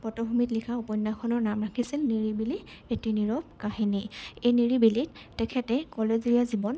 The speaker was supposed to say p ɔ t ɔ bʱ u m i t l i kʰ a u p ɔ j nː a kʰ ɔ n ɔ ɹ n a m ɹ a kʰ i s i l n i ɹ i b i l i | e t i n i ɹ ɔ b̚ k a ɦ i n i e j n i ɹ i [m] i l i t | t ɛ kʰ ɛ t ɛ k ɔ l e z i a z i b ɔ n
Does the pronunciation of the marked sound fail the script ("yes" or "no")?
yes